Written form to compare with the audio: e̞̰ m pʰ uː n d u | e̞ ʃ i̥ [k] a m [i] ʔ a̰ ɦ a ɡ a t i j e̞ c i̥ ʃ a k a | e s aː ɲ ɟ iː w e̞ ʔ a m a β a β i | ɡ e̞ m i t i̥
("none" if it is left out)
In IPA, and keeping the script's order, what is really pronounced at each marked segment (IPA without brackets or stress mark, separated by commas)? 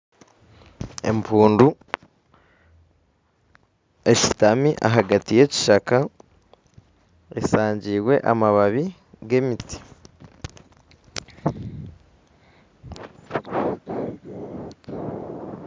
t, i